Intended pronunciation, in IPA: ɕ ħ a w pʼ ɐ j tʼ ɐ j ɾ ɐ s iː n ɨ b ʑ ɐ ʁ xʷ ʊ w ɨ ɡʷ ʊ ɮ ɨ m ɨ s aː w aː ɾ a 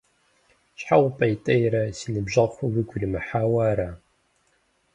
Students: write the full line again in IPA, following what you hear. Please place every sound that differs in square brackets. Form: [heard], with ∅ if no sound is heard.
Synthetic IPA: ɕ ħ a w pʼ ɐ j tʼ ɐ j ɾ ɐ s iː n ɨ b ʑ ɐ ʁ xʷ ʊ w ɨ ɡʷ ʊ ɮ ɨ m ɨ [ħ] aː w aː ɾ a